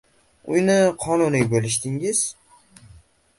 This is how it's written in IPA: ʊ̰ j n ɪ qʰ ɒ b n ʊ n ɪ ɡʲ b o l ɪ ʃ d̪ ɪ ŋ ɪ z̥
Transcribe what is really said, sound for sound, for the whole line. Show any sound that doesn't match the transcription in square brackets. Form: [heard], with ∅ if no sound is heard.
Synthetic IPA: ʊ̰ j n ɪ qʰ ɒ [∅] n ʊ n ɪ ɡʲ b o l ɪ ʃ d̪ ɪ ŋ ɪ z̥